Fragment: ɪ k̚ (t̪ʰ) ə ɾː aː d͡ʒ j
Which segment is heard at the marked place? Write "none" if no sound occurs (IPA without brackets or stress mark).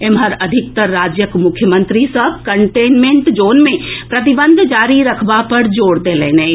t̪